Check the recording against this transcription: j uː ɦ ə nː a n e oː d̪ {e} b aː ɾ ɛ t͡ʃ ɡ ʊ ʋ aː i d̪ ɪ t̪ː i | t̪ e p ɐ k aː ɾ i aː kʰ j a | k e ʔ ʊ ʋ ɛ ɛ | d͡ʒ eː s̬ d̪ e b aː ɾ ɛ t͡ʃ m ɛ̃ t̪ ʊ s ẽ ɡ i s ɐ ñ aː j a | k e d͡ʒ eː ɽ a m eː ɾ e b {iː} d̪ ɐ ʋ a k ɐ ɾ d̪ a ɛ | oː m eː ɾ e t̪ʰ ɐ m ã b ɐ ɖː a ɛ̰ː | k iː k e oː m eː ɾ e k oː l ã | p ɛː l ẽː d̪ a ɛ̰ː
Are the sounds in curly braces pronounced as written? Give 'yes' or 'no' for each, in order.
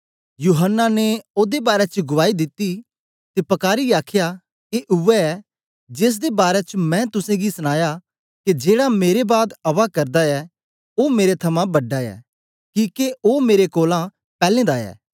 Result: yes, no

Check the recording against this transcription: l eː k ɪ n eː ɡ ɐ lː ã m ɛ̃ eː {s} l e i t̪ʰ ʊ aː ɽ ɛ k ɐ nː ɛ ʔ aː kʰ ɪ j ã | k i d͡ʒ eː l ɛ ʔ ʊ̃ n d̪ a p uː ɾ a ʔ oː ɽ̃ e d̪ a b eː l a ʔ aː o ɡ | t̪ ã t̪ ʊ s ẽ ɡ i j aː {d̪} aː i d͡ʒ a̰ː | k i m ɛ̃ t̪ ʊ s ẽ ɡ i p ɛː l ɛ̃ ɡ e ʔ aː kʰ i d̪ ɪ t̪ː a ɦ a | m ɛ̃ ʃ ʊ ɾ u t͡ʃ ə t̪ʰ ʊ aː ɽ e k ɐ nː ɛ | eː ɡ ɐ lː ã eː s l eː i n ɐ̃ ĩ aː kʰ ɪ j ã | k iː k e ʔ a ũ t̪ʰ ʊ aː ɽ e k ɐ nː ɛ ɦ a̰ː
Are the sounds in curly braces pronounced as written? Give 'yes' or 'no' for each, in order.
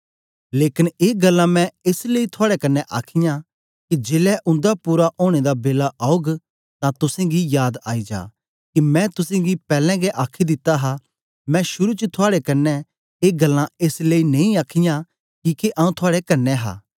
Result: yes, yes

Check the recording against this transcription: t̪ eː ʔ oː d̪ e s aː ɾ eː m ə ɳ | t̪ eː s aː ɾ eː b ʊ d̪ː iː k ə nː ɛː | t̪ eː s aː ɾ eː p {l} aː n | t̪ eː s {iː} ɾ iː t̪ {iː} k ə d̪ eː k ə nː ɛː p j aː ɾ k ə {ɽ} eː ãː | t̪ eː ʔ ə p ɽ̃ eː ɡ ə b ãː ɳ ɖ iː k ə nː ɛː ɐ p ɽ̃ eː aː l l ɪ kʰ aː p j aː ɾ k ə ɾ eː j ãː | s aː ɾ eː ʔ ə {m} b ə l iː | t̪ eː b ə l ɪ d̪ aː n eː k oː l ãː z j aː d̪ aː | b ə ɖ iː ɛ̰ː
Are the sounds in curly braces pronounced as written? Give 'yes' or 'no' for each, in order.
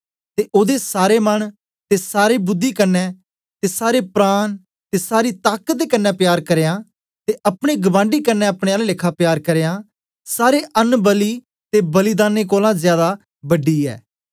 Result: no, no, no, no, no

